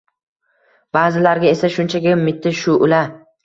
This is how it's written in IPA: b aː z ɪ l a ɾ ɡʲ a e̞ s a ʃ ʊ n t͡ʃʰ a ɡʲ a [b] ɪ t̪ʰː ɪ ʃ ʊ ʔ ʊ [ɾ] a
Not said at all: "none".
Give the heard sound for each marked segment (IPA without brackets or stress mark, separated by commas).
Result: m, l